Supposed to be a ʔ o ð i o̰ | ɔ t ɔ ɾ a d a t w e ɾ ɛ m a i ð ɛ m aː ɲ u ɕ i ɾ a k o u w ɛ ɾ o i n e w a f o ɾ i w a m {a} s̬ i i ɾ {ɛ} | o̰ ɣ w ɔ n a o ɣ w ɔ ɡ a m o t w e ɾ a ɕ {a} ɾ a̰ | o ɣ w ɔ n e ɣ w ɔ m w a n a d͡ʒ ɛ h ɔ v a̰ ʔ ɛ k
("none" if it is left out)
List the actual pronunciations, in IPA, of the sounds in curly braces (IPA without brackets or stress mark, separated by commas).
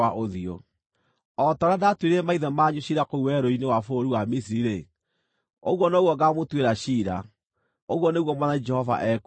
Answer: i, e, i